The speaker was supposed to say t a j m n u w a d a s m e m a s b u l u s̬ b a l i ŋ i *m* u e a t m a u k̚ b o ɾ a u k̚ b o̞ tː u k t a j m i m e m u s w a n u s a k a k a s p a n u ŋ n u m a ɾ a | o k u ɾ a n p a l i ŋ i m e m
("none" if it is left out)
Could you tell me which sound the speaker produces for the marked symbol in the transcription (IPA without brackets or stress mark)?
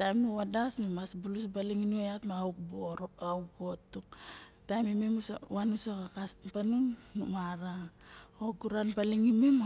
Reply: n